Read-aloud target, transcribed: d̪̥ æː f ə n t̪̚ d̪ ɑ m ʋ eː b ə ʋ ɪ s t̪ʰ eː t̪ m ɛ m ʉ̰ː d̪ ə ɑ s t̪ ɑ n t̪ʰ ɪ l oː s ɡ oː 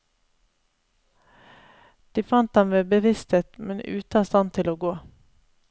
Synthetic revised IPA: d̪̥ iː f ɑ n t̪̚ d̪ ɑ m ʋ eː b ə ʋ ɪ s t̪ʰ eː t̪ m ɛ n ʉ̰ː t̪ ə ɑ s t̪ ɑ n t̪ʰ ɪ l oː ɡ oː